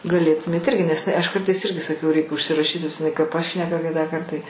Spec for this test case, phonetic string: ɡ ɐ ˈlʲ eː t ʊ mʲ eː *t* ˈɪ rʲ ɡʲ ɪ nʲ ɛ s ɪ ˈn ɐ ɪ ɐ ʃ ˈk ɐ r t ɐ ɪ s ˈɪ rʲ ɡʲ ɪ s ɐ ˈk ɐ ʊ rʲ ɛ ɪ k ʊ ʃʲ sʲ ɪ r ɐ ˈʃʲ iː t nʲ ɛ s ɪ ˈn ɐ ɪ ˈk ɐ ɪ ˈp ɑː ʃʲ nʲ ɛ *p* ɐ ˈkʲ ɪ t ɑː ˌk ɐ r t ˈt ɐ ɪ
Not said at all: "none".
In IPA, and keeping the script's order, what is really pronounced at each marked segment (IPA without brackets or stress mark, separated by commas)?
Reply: t, k